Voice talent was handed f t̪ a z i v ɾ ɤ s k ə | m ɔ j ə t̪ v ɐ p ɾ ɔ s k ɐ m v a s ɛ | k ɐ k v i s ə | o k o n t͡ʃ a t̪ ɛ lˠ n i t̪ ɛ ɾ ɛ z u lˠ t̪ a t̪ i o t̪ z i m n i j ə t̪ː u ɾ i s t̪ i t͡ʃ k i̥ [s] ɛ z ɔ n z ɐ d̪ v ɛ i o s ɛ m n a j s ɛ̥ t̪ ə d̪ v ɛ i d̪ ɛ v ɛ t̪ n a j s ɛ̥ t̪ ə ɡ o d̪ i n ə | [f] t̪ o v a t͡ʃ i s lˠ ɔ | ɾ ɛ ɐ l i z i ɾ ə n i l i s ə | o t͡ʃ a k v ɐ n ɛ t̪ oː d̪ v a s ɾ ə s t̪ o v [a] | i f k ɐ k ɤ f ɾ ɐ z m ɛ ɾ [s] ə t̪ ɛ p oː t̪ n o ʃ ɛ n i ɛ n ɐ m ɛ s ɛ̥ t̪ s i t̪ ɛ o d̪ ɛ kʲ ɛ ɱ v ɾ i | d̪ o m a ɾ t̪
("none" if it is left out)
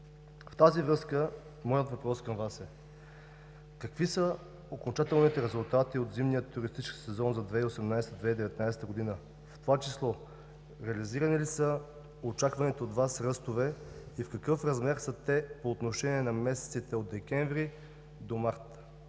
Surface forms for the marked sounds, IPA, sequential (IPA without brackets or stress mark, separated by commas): s, f, ɛ, s